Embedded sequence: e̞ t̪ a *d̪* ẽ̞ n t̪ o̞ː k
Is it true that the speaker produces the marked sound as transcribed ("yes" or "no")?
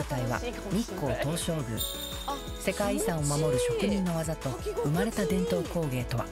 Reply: yes